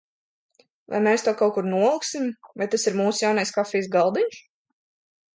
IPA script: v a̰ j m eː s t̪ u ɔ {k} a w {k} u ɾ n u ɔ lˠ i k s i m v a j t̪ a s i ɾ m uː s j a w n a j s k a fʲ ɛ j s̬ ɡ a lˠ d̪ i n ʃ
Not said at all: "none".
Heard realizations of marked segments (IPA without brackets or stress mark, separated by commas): k, k